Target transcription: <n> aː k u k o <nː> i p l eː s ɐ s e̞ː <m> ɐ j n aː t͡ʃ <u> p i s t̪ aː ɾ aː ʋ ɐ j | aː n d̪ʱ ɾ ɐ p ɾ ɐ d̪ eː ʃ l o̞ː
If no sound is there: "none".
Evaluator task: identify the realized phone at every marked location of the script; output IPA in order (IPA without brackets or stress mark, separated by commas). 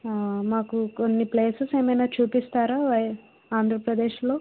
m, nː, m, uː